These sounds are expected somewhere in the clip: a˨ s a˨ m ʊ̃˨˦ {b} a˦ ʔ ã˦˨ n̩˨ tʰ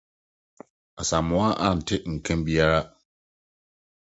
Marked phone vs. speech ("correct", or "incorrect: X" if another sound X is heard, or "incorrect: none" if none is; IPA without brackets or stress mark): incorrect: none